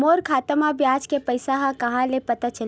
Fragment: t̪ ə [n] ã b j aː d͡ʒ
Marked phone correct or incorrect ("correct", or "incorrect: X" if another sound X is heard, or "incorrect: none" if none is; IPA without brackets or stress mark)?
incorrect: m